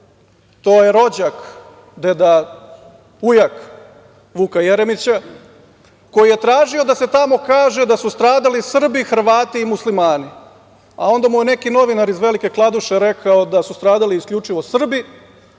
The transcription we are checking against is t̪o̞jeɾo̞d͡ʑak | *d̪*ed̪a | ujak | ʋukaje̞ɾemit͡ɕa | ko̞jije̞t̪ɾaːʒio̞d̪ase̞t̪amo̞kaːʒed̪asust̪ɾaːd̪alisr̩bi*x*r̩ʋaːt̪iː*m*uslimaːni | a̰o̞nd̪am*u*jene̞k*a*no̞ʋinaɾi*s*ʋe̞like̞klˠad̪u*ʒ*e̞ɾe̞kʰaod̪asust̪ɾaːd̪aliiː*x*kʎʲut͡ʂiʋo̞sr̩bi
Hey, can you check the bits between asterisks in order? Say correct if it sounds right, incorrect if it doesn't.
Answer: correct, correct, correct, correct, incorrect, incorrect, incorrect, incorrect

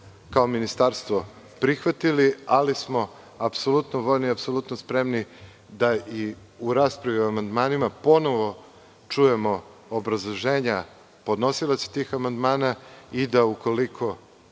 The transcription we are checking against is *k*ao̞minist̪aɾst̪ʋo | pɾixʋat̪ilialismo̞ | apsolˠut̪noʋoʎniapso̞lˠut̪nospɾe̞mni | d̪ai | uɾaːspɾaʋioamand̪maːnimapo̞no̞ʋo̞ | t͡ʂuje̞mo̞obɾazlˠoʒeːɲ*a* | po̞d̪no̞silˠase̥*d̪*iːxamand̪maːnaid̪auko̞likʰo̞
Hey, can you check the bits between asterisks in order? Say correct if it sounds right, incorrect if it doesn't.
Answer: correct, correct, incorrect

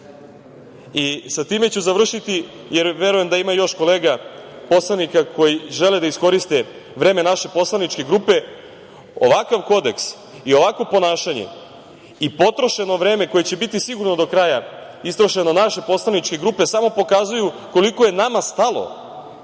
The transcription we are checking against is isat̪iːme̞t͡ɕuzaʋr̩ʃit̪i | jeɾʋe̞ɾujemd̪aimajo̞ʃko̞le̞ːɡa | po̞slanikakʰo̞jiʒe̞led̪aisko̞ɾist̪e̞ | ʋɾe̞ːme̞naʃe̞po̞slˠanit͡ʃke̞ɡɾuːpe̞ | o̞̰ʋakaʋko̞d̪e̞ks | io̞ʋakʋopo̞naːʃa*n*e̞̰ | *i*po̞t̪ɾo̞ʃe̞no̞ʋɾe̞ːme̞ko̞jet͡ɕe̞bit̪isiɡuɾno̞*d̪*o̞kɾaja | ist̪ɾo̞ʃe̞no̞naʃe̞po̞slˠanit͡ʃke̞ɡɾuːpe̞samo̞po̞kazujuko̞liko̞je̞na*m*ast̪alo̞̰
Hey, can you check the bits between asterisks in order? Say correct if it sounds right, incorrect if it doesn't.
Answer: incorrect, correct, correct, correct

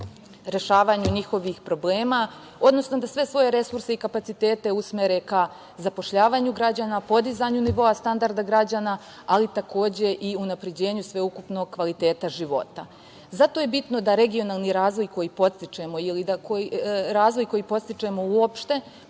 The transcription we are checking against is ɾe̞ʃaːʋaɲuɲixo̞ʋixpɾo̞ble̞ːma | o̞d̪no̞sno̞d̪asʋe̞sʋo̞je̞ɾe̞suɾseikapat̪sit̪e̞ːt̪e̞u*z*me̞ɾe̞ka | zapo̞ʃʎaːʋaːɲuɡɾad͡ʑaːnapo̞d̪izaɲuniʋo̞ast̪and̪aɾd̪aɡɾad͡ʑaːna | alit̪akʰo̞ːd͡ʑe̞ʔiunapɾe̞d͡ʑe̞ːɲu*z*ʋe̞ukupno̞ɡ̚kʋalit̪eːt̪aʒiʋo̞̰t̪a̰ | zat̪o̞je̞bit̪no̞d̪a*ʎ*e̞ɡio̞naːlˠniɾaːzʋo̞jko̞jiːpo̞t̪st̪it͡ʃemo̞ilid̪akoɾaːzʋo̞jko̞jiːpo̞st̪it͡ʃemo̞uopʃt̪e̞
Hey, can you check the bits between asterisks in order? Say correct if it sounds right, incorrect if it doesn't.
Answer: incorrect, incorrect, incorrect

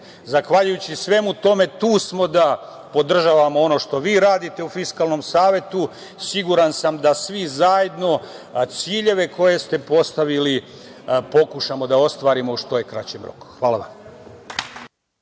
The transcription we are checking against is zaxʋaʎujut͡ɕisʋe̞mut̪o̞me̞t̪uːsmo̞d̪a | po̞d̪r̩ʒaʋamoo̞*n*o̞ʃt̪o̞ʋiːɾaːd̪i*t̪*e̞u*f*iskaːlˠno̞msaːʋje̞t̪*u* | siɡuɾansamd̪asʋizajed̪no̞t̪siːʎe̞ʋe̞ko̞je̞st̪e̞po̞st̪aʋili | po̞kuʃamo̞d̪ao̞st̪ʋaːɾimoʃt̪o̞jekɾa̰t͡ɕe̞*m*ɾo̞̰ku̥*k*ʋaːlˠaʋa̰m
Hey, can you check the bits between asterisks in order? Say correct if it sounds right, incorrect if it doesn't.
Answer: correct, correct, correct, correct, correct, incorrect

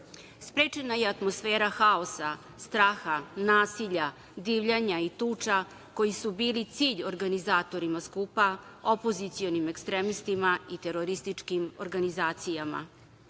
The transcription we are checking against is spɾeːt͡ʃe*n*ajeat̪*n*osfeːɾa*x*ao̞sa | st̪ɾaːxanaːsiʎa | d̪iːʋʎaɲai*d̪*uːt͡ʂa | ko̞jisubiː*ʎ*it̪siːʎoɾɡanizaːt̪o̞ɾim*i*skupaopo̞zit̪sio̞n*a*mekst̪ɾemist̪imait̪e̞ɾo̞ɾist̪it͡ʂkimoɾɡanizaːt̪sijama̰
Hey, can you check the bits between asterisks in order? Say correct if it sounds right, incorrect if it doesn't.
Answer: correct, incorrect, correct, incorrect, incorrect, incorrect, incorrect

